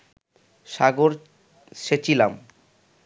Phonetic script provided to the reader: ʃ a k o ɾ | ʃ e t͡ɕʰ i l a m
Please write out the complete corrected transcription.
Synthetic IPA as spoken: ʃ a ɡ o ɾ | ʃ e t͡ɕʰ i l a m